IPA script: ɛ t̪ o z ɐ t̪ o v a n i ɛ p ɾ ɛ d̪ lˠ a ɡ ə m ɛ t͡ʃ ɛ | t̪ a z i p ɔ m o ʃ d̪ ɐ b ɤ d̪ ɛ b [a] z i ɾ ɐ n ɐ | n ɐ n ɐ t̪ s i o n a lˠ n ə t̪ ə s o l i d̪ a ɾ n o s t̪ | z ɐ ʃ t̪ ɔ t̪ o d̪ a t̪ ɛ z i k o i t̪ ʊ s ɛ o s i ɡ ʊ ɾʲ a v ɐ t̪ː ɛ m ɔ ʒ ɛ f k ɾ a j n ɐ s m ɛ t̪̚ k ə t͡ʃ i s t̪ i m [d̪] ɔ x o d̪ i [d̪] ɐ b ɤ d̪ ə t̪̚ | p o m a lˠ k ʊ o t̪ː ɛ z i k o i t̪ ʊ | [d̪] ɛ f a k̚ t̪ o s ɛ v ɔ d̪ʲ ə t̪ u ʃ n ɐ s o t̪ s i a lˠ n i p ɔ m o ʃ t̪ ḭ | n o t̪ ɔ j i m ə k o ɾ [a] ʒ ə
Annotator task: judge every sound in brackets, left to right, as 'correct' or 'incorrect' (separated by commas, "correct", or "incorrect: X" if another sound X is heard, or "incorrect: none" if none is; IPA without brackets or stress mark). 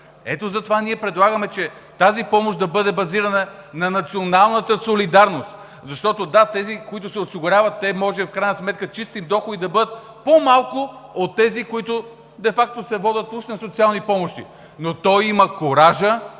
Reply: incorrect: ɐ, correct, correct, correct, correct